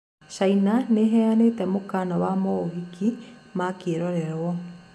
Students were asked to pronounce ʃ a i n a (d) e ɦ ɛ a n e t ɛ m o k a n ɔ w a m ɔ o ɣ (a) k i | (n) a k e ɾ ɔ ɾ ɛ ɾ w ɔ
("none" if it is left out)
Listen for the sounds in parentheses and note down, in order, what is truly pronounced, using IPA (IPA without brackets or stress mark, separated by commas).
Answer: n, i, m